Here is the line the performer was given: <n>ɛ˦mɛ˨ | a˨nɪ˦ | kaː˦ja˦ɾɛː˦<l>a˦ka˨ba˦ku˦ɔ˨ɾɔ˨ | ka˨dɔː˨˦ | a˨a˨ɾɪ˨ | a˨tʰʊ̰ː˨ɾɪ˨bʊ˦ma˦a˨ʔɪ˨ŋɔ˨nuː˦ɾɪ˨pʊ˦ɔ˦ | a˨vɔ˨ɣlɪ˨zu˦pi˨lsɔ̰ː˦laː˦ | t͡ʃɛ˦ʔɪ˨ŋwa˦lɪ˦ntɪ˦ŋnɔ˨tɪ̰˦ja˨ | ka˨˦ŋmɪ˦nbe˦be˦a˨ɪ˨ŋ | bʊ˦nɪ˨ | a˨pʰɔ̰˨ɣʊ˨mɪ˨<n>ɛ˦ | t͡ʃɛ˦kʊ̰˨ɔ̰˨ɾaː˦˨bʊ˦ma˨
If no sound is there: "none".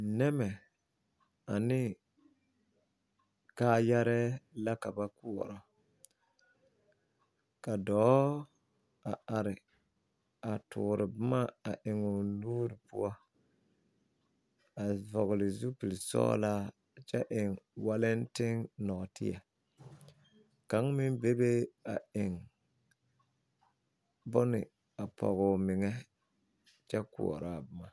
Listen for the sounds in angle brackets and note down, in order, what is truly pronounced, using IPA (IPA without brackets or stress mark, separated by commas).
n, l, ŋ